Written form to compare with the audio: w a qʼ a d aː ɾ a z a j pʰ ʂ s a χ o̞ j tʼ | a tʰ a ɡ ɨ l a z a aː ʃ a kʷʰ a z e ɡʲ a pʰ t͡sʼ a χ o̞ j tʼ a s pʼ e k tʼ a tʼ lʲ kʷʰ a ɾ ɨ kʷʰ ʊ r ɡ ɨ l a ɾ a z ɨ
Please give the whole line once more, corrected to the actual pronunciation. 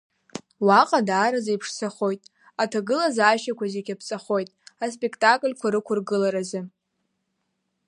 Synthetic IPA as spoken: w a qʼ a d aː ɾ a z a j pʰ ʂ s a χ o̞ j tʼ | a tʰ a ɡ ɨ l a z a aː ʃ a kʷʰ a z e ɡʲ a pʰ t͡sʼ a χ o̞ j tʼ a s pʼ e k tʼ a kʼ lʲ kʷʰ a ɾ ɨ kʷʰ ʊ r ɡ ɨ l a ɾ a z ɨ